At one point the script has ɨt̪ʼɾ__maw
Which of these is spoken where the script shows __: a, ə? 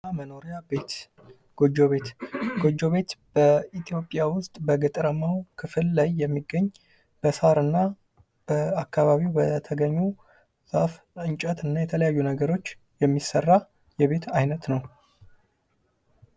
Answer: ə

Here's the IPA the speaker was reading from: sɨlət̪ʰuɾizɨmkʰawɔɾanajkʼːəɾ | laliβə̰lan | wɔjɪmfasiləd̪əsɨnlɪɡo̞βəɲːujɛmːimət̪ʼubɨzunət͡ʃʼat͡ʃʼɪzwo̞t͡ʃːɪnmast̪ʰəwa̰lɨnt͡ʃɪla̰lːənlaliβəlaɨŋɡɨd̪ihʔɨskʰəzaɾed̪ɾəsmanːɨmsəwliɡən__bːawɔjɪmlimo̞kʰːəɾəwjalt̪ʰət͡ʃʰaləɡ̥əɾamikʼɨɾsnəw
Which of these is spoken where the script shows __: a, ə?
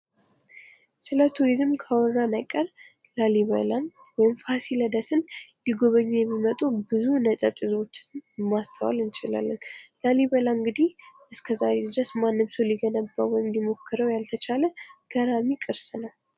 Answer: ə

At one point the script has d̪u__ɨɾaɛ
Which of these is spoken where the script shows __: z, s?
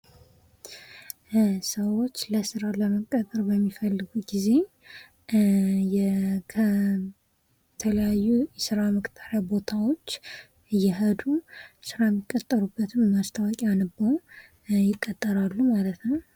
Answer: s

